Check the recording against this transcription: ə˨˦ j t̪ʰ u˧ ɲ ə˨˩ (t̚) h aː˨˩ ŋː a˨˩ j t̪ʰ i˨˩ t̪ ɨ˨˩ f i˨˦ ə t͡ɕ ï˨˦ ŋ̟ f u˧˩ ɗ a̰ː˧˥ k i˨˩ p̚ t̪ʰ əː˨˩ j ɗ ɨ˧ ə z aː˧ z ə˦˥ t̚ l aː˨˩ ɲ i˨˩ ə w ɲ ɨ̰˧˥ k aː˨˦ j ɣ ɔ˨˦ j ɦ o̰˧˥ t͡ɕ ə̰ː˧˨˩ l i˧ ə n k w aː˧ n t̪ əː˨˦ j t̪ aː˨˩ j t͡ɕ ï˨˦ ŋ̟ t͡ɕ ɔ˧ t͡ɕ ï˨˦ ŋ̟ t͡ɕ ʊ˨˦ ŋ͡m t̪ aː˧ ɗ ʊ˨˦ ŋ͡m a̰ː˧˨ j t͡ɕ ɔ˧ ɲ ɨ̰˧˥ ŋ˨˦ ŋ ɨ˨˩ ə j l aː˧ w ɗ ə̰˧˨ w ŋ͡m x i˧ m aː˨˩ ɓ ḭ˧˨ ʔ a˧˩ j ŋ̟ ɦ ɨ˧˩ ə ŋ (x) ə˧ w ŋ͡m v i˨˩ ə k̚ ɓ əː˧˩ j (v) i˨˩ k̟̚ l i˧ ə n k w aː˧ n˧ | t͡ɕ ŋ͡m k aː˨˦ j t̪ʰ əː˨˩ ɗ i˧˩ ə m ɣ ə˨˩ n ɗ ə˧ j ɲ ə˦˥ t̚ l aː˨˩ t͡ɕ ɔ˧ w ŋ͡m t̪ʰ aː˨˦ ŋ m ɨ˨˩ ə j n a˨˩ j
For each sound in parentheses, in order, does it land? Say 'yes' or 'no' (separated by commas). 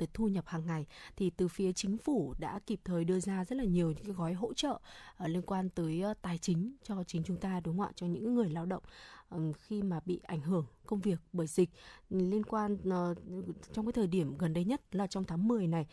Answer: no, no, no